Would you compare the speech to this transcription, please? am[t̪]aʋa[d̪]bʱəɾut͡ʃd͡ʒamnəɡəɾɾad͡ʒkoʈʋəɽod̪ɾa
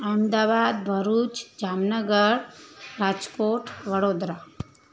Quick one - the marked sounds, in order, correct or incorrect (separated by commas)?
incorrect, correct